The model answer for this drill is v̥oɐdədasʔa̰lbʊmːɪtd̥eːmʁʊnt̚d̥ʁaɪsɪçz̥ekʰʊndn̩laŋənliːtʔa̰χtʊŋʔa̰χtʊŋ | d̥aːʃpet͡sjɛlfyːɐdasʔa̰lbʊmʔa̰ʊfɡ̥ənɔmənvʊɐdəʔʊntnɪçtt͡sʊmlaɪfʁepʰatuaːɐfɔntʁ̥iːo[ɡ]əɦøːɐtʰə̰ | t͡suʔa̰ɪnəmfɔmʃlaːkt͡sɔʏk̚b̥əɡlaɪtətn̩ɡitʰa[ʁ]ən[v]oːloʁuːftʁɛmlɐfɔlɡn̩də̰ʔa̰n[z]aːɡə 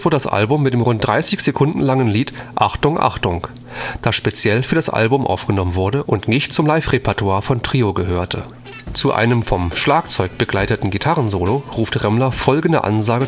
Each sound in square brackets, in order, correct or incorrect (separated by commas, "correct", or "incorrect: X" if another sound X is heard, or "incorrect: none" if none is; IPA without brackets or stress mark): correct, correct, incorrect: z, correct